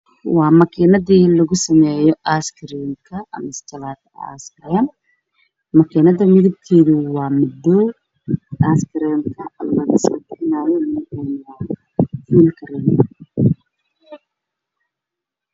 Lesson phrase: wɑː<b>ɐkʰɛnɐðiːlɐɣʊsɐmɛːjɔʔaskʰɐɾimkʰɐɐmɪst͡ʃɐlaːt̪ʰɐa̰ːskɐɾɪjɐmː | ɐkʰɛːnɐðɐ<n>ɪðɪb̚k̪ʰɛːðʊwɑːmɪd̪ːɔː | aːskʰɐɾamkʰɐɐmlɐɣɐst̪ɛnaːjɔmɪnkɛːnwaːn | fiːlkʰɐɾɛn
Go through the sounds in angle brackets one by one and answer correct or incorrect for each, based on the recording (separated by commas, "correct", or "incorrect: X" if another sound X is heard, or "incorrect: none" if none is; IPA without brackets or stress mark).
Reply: incorrect: m, incorrect: m